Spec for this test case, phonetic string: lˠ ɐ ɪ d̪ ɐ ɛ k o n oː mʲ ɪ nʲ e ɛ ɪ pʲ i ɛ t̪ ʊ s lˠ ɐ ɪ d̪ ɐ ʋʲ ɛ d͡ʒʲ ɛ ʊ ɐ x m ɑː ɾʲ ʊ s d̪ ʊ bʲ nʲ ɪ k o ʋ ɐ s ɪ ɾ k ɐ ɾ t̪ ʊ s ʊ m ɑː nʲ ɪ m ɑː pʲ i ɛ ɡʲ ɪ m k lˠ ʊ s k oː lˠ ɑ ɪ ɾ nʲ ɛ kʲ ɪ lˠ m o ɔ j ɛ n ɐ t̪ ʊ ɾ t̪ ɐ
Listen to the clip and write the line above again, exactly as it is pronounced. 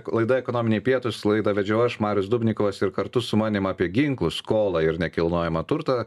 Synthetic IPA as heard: lˠ ɐ ɪ d̪ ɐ ɛ k o n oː mʲ ɪ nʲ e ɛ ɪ pʲ i ɛ t̪ ʊ s lˠ ɐ ɪ d̪ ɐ ʋʲ ɛ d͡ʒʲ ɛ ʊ ɐ ʃ m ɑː ɾʲ ʊ s d̪ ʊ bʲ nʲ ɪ k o ʋ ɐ s ɪ ɾ k ɐ ɾ t̪ ʊ s ʊ m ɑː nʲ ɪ m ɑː pʲ i ɛ ɡʲ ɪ ŋ k lˠ ʊ s k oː lˠ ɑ ɪ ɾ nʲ ɛ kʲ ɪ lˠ n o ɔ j ɛ m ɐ t̪ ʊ ɾ t̪ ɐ